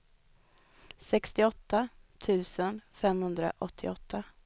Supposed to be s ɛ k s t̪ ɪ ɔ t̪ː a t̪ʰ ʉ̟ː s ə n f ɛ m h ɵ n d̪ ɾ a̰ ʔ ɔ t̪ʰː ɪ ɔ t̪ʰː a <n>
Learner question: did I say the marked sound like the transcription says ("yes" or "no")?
no